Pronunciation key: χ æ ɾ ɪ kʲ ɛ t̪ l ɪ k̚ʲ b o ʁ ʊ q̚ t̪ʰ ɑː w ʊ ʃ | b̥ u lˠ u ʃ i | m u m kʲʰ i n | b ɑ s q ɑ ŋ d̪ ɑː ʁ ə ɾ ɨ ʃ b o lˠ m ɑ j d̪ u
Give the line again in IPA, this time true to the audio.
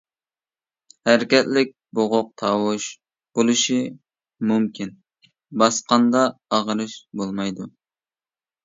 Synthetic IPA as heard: h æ ɾ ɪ kʲ ɛ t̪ l ɪ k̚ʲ b o ʁ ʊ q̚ t̪ʰ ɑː w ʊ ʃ | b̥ o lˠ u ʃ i | m u m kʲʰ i n | b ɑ s q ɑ n d̪ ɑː ʁ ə ɾ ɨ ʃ b o lˠ m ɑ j d̪ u